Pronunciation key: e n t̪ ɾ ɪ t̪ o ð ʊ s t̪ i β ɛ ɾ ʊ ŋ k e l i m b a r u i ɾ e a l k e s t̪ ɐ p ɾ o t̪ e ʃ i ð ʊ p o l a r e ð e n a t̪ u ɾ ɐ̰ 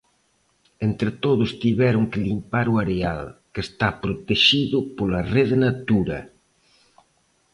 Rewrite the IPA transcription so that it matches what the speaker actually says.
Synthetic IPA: e n t̪ ɾ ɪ t̪ o ð ʊ s t̪ i β ɛ ɾ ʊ ŋ k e l i m p a ɾ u a ɾ e a l k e s t̪ a p ɾ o t̪ e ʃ i ð ʊ p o l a r e ð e n a t̪ u ɾ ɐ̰

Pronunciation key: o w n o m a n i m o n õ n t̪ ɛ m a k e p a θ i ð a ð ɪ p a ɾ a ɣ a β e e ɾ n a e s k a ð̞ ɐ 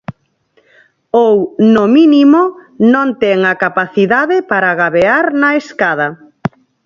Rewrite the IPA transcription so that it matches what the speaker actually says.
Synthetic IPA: o w n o m i n i m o n õ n t̪ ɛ ŋ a k a p a θ i ð a ð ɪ p a ɾ a ɣ a β e a ɾ n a e s k a ð̞ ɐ

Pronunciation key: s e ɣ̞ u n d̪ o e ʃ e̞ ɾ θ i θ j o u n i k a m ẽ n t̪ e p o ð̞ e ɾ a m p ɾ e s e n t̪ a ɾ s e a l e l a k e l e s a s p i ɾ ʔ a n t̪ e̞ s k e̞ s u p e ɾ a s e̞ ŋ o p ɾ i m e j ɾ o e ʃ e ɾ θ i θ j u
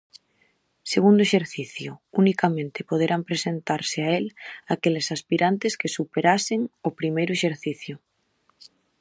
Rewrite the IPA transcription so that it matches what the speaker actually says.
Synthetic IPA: s e ɣ̞ u n d̪ o e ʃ e̞ ɾ θ i θ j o u n i k a m ẽ n t̪ e p o ð̞ e ɾ a m p ɾ e s e n t̪ a ɾ s e a e l a k e l e s a s p i ɾ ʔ a n t̪ e̞ s k e̞ s u p e ɾ a s e̞ ŋ o p ɾ i m e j ɾ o e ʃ e ɾ θ i θ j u

